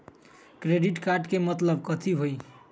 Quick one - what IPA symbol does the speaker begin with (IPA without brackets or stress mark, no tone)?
k